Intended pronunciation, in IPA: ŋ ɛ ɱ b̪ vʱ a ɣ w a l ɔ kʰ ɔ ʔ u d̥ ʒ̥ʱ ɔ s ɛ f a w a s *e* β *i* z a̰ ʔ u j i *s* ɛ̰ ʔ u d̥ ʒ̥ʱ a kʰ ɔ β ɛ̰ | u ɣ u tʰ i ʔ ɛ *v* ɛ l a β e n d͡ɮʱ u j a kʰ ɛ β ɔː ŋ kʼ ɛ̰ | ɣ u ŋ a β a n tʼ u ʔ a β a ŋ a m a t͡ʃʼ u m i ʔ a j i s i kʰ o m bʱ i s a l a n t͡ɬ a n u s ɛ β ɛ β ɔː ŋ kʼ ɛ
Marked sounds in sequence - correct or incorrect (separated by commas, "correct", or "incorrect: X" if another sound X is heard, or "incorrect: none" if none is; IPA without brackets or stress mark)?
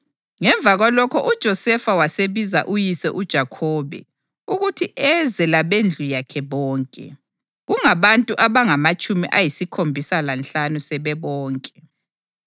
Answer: correct, correct, correct, incorrect: z